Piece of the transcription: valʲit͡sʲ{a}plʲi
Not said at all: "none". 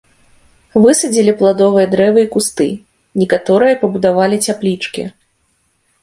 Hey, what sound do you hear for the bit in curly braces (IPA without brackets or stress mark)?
a